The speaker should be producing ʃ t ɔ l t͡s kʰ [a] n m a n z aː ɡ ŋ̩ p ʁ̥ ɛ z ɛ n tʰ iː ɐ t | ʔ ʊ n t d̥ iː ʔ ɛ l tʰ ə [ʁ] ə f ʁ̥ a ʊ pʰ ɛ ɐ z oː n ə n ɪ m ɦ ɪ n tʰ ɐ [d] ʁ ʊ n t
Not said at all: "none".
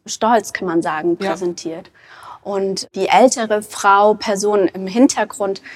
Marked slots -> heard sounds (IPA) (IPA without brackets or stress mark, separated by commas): a, ʁ, ɡ